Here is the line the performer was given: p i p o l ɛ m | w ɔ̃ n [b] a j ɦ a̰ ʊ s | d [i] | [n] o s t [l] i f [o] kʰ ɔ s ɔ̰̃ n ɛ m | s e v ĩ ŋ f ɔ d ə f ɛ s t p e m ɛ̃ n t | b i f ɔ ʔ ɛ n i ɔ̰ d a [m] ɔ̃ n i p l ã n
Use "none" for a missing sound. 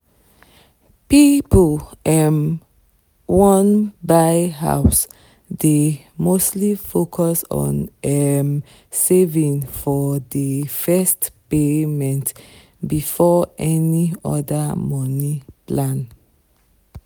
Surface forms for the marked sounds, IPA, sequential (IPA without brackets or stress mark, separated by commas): b, e, m, l, o, m